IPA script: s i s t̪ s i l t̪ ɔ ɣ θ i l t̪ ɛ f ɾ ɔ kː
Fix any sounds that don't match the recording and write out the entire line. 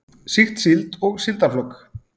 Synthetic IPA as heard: s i x t̪ s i l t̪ ɔ ɣ s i l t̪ a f l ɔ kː